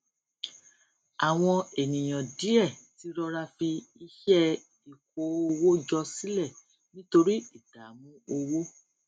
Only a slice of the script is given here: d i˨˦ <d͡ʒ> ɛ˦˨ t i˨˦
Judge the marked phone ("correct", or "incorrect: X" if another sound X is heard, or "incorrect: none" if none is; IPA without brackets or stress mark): incorrect: none